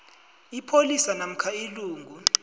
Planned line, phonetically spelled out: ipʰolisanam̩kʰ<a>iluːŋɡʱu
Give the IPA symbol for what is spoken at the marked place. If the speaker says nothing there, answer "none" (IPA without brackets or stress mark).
a